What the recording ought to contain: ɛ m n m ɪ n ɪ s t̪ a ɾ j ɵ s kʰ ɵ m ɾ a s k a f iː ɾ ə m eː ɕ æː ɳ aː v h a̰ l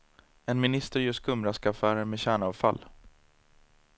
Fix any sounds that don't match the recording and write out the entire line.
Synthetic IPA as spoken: ɛ n m ɪ n ɪ s t̪ ə ɾ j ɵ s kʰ ɵ m ɾ a s k a f æː ɾ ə m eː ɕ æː ɳ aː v f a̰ l